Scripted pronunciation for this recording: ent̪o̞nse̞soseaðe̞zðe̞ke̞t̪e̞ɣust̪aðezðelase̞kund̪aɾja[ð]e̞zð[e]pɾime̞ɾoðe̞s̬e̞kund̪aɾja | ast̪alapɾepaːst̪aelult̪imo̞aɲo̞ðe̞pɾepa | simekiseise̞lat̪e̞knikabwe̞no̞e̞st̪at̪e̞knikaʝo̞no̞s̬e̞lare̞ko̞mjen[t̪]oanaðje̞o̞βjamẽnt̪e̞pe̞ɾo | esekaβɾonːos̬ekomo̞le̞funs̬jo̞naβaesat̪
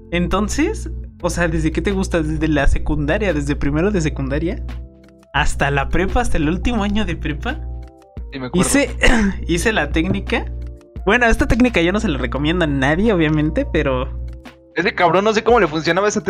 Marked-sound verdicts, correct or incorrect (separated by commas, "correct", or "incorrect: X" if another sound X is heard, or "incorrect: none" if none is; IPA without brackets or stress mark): correct, correct, incorrect: d̪